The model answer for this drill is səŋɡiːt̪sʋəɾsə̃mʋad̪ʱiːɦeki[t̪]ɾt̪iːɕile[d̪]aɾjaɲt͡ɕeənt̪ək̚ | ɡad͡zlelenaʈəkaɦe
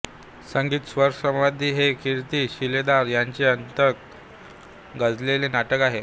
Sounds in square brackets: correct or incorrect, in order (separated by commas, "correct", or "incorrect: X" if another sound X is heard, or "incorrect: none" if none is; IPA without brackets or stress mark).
incorrect: none, correct